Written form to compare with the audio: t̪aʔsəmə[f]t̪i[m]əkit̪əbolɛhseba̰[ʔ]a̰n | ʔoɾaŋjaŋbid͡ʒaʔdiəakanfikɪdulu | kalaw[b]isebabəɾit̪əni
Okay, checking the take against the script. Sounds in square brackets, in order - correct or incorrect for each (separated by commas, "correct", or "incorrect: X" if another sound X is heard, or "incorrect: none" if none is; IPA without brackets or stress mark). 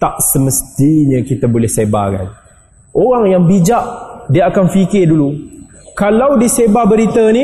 incorrect: s, incorrect: ɲ, incorrect: k, incorrect: d